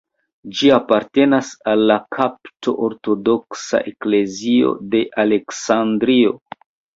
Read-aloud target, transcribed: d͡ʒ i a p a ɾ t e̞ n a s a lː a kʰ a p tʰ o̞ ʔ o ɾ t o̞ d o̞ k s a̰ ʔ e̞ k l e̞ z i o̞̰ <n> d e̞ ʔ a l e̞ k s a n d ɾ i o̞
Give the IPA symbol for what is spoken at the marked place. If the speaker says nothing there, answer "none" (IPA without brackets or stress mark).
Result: none